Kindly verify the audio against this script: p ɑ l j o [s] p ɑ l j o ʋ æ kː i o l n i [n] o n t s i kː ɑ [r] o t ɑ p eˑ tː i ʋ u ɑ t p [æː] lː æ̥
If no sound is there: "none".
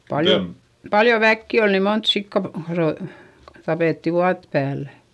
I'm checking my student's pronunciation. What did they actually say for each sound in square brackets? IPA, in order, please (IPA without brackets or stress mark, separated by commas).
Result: none, m, r, æː